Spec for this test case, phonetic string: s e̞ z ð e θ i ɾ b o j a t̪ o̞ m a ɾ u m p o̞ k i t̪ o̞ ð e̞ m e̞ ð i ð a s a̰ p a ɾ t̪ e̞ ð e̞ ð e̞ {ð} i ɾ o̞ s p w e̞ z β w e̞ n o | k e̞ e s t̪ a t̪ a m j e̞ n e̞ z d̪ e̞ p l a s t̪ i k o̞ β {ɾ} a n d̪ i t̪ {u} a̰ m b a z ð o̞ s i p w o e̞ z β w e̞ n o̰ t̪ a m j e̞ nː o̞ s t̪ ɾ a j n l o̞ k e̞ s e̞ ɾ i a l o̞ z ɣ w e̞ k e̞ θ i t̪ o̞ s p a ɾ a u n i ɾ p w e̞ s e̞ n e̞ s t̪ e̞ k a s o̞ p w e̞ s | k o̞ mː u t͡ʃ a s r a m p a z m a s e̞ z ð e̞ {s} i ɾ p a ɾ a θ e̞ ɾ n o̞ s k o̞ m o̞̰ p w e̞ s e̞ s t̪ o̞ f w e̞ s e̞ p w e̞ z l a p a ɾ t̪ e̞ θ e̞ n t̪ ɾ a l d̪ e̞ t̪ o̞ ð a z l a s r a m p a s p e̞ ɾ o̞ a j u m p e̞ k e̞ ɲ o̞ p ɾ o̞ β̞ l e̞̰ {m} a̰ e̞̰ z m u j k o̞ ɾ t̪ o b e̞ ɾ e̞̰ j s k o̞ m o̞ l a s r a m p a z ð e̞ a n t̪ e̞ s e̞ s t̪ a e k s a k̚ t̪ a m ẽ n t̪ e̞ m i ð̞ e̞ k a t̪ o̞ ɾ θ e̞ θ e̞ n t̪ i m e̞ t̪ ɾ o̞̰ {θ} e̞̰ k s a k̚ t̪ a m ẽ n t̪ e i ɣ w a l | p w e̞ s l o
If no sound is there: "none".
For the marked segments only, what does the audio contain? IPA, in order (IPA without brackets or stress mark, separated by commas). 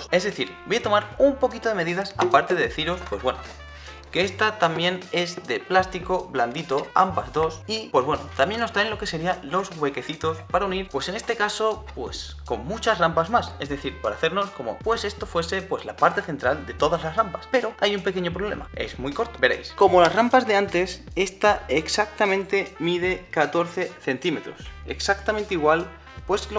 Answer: θ, l, o, θ, m, s